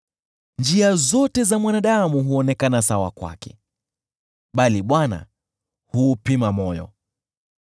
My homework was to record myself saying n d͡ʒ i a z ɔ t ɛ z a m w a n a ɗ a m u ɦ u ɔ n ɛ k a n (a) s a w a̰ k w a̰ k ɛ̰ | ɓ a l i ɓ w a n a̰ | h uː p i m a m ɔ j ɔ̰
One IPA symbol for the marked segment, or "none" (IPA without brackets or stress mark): a